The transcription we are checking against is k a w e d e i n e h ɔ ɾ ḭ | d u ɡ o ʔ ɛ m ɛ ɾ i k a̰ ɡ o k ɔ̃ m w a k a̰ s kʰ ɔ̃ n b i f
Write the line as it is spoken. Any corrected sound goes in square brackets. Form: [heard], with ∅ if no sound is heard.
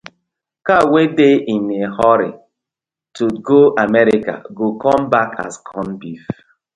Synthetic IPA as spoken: k a w e d e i n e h ɔ ɾ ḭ | [t] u ɡ o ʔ [a] m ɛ ɾ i k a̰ ɡ o k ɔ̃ m [b] a k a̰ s kʰ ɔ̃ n b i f